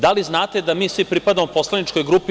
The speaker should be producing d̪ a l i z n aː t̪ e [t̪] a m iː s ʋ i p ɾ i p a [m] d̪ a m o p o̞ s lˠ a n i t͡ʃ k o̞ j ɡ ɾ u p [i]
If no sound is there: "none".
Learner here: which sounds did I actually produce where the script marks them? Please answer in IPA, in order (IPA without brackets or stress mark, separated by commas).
d̪, none, i